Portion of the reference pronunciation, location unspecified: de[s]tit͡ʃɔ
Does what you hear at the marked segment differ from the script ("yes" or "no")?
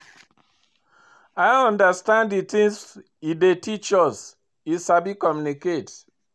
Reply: yes